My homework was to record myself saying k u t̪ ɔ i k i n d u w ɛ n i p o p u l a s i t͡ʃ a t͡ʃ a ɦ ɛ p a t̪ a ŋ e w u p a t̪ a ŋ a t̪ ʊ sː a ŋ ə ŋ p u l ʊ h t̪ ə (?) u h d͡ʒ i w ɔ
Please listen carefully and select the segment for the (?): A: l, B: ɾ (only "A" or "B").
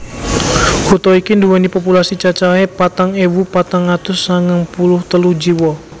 A